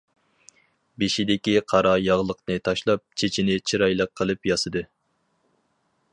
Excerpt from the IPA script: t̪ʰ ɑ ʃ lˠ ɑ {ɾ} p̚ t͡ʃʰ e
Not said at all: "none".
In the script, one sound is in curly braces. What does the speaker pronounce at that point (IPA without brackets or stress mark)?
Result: none